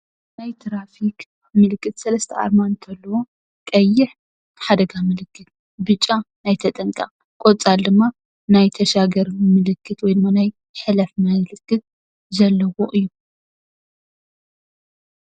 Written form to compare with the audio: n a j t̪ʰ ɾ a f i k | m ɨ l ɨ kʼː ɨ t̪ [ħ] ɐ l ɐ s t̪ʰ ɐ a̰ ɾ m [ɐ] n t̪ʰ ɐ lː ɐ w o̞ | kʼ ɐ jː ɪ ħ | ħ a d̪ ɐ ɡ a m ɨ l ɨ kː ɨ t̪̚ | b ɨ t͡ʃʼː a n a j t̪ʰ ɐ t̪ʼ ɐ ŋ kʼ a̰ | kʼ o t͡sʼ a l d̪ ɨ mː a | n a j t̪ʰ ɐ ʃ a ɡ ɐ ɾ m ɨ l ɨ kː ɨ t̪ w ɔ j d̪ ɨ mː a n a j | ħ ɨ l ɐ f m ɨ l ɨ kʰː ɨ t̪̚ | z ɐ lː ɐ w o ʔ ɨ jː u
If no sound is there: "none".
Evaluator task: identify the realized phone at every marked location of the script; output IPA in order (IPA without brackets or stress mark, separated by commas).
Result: s, a